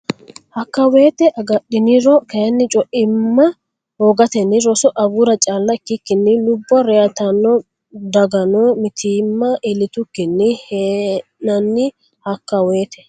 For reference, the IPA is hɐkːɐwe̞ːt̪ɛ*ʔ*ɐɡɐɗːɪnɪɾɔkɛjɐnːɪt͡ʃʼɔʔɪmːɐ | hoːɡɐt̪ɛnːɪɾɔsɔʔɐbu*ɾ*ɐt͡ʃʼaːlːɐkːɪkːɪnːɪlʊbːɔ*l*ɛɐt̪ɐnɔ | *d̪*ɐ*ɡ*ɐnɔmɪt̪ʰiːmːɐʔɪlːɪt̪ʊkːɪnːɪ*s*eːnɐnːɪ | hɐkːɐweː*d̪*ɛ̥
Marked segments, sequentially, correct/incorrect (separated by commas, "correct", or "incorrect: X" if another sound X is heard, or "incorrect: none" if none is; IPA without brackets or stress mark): correct, correct, incorrect: ɾ, correct, correct, incorrect: h, incorrect: t̪